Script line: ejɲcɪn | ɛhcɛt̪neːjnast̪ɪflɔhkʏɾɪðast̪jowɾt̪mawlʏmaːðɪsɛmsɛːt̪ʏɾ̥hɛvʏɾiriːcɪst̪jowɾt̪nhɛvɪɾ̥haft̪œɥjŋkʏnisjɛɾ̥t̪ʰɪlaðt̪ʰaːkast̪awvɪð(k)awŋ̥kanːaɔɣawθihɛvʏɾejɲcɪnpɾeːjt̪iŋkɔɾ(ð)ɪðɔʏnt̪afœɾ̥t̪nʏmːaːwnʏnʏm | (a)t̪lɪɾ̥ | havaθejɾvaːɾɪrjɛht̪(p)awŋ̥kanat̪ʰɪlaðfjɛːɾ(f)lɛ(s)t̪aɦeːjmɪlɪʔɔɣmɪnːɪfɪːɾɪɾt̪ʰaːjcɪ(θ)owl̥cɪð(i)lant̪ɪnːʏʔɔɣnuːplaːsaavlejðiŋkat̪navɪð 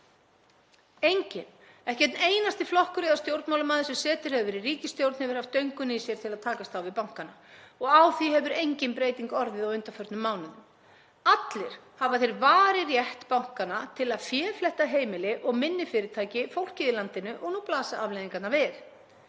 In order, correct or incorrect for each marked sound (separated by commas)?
incorrect, correct, correct, correct, correct, incorrect, incorrect, incorrect